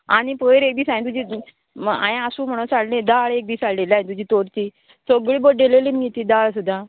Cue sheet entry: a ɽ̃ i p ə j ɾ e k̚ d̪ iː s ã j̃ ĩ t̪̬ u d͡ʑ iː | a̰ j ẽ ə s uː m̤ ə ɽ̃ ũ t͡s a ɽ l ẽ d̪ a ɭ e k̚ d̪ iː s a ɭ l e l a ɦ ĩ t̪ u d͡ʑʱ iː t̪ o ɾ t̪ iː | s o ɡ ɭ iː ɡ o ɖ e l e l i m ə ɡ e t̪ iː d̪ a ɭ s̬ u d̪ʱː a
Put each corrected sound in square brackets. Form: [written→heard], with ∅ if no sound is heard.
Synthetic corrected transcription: a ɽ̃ i p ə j ɾ e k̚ d̪ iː s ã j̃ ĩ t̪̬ u d͡ʑ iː | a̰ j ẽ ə s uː m̤ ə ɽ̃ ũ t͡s a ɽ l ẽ d̪ a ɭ e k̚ d̪ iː s a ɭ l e l a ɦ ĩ t̪ u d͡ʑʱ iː t̪ o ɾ t̪ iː | s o ɡ ɭ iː [ɡ→b] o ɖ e l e l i m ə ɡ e t̪ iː d̪ a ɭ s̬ u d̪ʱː a